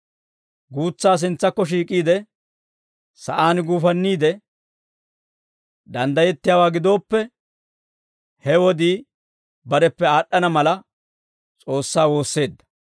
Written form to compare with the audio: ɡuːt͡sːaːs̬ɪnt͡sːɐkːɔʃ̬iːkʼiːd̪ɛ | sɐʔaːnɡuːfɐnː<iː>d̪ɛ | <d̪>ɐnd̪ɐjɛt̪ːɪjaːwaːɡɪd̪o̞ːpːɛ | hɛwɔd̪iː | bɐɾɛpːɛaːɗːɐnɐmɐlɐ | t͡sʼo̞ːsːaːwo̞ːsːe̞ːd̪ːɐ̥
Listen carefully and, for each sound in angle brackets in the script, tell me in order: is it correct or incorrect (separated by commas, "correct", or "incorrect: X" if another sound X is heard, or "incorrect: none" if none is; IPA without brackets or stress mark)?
correct, correct